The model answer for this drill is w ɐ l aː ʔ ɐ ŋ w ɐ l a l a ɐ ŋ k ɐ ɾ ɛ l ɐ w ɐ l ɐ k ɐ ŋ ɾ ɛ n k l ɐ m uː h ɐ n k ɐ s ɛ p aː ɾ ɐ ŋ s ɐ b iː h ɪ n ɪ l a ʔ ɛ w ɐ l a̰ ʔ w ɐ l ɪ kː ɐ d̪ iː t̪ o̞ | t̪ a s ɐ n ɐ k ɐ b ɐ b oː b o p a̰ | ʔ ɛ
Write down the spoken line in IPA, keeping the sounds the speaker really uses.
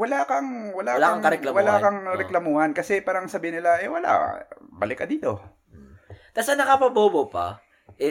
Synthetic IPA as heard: w ɐ l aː k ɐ ŋ w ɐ l a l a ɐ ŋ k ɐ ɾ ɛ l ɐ w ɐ l a k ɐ ŋ ɾ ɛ k l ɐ m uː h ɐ n k ɐ s ɛ p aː ɾ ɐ ŋ s ɐ b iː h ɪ n ɪ l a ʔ ɛ w ɐ l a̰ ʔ b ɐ l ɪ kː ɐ d̪ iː t̪ o̞ | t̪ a s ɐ n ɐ k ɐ p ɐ b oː b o p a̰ | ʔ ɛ